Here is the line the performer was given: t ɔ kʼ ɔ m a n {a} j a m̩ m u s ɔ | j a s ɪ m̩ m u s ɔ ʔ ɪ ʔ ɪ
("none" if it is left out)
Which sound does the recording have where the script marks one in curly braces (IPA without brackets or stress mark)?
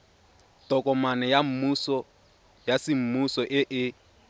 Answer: ɛ